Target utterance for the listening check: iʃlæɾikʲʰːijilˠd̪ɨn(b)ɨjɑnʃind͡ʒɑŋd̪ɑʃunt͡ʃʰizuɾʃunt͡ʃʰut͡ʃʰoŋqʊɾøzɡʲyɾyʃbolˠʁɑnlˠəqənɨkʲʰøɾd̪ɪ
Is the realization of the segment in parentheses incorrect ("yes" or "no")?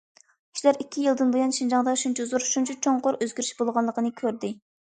no